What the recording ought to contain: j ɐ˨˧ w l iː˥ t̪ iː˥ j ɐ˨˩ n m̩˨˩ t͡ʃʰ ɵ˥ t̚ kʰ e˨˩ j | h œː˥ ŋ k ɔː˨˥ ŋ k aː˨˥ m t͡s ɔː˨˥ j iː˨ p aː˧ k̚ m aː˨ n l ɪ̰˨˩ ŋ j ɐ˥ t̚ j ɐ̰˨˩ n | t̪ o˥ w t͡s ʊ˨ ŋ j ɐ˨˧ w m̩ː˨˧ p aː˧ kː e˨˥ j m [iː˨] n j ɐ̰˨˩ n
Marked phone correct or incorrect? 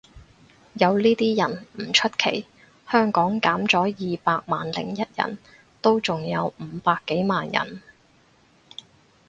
incorrect